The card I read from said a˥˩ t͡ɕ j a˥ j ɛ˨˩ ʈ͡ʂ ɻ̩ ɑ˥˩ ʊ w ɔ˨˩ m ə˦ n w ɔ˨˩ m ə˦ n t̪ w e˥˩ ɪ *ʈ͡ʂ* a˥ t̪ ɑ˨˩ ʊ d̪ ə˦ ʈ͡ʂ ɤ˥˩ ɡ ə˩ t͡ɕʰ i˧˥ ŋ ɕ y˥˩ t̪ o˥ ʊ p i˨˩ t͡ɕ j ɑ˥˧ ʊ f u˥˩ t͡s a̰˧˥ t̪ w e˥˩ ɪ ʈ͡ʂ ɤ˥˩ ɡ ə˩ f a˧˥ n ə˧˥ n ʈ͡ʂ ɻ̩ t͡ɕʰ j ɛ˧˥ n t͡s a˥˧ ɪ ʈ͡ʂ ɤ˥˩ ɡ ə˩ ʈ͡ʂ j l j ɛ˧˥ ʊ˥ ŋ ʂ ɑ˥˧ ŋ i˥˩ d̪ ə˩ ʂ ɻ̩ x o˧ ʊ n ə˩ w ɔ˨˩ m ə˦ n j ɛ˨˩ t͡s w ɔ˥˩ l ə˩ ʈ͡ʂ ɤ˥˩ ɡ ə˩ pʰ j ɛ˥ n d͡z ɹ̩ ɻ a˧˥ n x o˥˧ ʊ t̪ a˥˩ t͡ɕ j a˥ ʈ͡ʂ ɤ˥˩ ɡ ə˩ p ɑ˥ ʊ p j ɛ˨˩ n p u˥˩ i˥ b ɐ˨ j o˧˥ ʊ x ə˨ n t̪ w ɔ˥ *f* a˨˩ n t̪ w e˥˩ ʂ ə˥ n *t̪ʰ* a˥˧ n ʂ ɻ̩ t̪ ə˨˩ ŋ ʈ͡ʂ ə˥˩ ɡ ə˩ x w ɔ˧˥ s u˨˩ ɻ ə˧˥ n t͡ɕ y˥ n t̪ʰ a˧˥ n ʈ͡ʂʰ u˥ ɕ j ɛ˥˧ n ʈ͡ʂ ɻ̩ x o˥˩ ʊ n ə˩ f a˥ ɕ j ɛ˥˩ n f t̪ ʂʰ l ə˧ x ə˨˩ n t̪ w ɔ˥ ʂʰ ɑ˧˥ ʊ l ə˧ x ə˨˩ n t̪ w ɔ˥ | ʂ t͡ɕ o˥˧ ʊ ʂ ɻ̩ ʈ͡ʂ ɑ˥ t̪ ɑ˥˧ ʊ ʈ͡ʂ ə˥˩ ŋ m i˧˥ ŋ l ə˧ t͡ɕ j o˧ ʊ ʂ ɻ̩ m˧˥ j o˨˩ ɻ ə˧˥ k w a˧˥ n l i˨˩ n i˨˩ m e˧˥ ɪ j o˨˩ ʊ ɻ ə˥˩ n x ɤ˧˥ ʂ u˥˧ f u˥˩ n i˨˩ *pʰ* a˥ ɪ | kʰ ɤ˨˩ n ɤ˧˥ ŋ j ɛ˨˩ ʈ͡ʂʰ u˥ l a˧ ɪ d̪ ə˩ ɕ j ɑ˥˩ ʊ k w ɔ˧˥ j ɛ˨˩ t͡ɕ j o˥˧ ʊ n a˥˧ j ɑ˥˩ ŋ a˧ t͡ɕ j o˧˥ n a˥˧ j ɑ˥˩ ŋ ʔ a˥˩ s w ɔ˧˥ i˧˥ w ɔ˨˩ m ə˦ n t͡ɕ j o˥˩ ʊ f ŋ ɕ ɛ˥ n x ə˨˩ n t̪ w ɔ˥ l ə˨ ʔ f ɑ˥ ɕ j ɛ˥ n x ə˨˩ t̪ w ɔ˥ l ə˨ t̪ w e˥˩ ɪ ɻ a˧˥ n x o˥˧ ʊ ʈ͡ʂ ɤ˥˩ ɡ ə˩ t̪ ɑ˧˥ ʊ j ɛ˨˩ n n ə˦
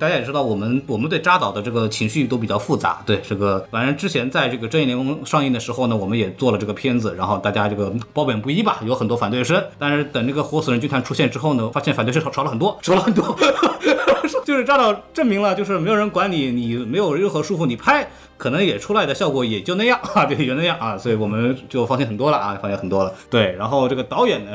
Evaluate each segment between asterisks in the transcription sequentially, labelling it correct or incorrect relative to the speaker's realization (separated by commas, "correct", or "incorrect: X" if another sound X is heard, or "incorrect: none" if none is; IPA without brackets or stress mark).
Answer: correct, correct, incorrect: t̪, correct